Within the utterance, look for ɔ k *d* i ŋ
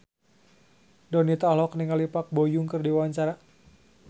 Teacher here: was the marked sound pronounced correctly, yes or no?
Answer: no